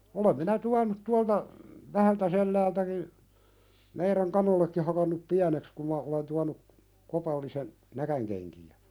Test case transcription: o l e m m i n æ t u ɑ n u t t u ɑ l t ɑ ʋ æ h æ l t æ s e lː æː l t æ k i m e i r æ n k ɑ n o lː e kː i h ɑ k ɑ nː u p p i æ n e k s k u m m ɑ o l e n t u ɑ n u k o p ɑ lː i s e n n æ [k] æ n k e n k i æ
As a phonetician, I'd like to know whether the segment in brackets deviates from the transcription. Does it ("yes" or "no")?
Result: no